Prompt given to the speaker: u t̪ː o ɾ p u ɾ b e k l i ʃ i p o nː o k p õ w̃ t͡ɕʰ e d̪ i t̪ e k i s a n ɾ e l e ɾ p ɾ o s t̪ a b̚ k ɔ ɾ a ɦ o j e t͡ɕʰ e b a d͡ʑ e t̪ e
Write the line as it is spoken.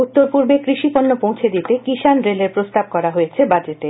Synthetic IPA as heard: u t̪ː o ɾ p u ɾ b e k ɾ i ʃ i p o nː o p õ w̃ t͡ɕʰ e d̪ i t̪ e k i ʃ a n ɾ e l e ɾ p ɾ o s t̪ a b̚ k ɔ ɾ a ɦ o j e t͡ɕʰ e b a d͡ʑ e t̪ e